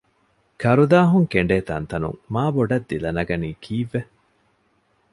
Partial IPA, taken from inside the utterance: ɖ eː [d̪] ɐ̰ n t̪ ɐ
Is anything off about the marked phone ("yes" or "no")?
yes